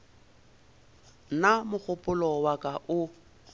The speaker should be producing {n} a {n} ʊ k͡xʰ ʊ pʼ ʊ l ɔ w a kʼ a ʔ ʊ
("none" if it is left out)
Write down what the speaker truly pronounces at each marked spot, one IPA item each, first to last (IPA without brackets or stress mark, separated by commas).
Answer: n, m